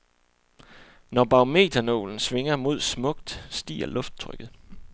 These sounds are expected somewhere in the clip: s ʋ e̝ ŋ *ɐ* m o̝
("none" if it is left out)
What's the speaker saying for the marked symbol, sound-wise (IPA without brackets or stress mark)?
ɐ